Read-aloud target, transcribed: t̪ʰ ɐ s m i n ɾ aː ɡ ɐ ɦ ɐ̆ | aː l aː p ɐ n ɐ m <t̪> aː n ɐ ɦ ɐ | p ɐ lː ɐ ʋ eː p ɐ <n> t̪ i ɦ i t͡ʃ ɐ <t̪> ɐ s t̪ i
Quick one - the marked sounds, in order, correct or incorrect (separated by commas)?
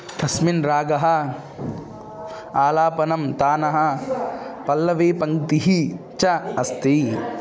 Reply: correct, incorrect, incorrect